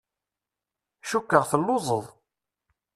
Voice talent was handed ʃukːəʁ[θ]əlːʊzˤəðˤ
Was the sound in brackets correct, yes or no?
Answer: yes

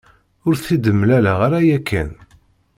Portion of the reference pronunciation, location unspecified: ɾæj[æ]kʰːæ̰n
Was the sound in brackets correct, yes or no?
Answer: yes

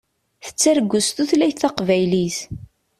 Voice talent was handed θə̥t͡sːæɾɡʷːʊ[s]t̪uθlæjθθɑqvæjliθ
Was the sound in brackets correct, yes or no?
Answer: yes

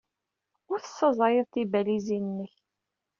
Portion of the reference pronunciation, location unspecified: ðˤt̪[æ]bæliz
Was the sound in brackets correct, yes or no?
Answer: no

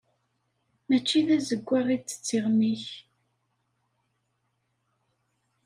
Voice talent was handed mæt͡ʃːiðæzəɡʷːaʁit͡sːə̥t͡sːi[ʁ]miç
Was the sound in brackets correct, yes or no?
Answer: yes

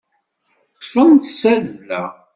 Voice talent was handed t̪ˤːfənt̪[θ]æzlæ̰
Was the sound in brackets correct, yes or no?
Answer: no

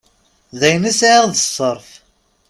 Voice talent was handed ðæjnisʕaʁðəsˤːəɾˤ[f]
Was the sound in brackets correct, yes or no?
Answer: yes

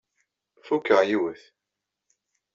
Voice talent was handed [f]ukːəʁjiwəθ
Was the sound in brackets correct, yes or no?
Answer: yes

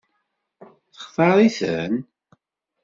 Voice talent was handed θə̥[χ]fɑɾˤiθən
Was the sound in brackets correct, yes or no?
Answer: yes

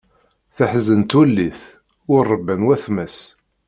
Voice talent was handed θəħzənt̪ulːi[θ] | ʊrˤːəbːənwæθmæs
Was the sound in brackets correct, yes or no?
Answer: yes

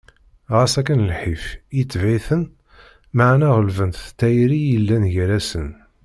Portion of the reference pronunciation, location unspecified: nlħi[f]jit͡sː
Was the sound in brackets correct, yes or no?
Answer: yes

